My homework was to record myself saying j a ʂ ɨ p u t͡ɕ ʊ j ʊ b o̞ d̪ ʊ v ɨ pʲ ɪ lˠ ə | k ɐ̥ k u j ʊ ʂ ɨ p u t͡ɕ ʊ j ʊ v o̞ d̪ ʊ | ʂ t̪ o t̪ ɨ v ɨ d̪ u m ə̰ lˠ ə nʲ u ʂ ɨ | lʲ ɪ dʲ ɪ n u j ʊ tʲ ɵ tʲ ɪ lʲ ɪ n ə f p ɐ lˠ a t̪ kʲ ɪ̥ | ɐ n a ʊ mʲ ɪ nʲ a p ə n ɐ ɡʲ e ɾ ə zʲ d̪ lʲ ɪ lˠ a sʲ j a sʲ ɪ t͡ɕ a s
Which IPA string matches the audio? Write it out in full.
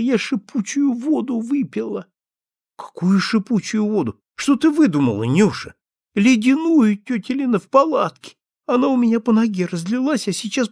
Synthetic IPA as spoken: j a ʂ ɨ p u t͡ɕ ʊ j ʊ v o̞ d̪ ʊ v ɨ pʲ ɪ lˠ ə | k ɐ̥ k u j ʊ ʂ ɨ p u t͡ɕ ʊ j ʊ v o̞ d̪ ʊ | ʂ t̪ o t̪ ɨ v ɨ d̪ u m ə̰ lˠ ə nʲ u ʂ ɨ | lʲ ɪ dʲ ɪ n u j ʊ tʲ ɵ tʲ ɪ lʲ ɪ n ə f p ɐ lˠ a t̪ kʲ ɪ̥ | ɐ n a ʊ mʲ ɪ nʲ a p ə n ɐ ɡʲ e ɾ ə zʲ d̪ lʲ ɪ lˠ a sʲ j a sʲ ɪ t͡ɕ a s